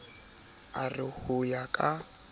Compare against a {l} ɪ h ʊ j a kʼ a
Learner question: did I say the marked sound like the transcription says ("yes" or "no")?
no